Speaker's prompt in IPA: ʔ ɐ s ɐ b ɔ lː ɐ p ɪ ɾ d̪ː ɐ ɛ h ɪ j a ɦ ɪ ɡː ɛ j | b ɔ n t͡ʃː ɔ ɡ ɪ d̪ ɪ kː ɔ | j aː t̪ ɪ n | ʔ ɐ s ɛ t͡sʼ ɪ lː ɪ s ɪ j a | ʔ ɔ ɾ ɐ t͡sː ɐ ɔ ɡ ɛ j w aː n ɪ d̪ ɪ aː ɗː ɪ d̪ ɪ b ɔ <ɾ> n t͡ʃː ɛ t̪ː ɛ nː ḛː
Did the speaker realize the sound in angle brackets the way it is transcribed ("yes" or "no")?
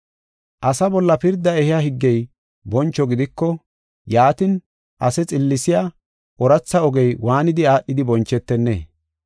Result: no